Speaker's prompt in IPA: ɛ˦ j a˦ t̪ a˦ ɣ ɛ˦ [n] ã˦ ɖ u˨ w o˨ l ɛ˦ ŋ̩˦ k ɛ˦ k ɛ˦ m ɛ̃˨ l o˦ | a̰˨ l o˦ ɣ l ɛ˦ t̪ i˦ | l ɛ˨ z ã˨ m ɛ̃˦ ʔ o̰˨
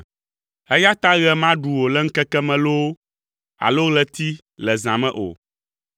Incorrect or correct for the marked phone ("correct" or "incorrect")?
incorrect